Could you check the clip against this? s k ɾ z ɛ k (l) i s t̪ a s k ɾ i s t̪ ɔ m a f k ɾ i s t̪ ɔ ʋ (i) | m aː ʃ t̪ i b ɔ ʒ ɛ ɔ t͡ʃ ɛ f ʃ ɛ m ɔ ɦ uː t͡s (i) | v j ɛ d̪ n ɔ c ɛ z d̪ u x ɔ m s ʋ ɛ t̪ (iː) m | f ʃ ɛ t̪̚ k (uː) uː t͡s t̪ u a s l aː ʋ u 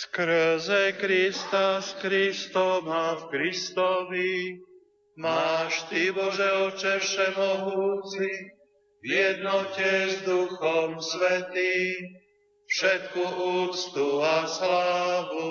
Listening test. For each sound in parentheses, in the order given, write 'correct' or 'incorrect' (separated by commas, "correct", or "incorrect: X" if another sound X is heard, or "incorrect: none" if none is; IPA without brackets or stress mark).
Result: incorrect: ɾ, correct, correct, correct, incorrect: u